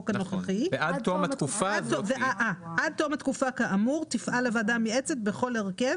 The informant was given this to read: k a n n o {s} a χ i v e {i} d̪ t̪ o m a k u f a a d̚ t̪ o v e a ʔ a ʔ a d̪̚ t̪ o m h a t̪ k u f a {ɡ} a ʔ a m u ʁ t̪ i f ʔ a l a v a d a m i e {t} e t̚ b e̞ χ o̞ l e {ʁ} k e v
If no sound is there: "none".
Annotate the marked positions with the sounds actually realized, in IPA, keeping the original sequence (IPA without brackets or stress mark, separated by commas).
χ, a, k, t͡s, ʁ